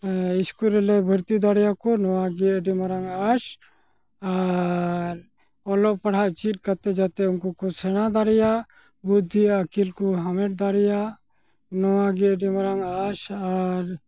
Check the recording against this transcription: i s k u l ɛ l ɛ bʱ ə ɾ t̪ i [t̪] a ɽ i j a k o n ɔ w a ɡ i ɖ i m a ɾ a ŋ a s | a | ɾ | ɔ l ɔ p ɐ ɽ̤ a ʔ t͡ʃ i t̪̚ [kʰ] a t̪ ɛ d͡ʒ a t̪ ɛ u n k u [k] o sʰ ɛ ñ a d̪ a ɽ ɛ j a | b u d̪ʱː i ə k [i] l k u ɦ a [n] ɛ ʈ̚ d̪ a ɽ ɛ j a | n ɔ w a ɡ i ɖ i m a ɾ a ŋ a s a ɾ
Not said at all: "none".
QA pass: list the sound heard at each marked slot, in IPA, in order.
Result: d̪, k, k, i, m

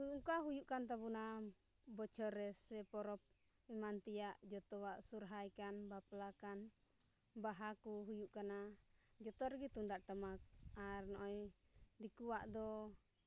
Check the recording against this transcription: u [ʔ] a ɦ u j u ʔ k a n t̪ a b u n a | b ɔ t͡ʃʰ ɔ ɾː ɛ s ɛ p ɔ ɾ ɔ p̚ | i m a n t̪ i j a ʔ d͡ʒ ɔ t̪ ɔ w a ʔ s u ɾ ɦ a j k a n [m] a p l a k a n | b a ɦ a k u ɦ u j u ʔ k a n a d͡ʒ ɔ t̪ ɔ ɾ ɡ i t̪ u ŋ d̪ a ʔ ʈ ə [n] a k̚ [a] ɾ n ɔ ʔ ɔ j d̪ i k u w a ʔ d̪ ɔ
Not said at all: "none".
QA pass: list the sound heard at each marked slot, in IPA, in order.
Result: k, b, m, a

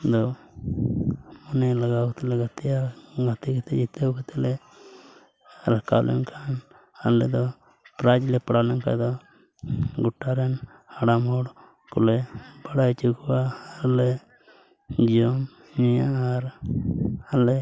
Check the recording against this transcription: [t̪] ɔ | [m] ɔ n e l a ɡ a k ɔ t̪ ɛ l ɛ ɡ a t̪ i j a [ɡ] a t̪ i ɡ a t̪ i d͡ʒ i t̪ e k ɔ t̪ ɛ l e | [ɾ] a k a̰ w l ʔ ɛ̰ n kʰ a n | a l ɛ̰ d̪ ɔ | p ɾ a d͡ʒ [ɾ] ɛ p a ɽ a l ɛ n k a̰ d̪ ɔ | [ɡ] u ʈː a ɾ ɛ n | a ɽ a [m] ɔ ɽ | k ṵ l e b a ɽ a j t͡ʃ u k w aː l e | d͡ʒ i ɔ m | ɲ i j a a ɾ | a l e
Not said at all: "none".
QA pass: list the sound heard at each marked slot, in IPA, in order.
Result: d̪, m, ɡ, ɾ, l, ɡ, m

